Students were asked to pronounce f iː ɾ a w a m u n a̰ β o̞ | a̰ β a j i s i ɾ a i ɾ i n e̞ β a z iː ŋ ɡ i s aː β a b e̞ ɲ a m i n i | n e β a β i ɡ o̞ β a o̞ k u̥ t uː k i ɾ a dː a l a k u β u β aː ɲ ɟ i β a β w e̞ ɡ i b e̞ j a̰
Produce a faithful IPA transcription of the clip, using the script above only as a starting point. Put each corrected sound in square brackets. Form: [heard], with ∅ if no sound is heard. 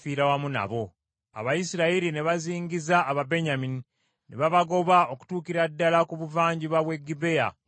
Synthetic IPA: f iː ɾ a w a m u n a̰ β o̞ | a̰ β a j i s i ɾ a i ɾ i n e̞ β a z iː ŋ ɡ i [z] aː β a b e̞ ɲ a m i n i | n e β a β [a] ɡ o̞ β a o̞ k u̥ t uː k i ɾ a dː a l a k u β u [v] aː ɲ ɟ i β a β w e̞ ɡ i b e̞ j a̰

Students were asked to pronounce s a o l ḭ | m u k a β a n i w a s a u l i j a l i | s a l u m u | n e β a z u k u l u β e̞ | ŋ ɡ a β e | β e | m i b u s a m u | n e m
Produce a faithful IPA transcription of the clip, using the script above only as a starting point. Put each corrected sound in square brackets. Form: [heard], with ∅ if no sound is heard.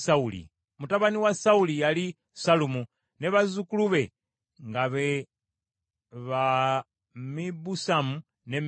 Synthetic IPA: s a [u] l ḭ | m u [t] a β a n i w a s a u l i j a l i | s a l u m u | n e β a z u k u l u β e̞ | ŋ ɡ a β e | β [a] | m i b u s a m u | n e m

